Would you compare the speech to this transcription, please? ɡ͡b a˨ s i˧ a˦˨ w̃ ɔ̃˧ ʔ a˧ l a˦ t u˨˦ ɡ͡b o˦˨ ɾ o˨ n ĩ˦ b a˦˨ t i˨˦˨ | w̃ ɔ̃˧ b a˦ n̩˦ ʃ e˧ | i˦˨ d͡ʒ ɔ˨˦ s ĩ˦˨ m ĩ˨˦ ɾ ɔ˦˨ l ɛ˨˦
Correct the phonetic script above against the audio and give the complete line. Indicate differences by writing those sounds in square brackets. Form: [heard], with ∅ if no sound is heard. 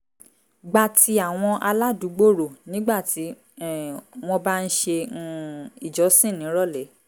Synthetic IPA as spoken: ɡ͡b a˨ [t] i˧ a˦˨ w̃ ɔ̃˧ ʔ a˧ l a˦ [d] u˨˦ ɡ͡b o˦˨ ɾ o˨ n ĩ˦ [ɡ͡b] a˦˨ t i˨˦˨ | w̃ ɔ̃˧ b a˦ n̩˦ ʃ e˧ | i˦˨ d͡ʒ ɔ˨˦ s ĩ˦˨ [n] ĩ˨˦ ɾ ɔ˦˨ l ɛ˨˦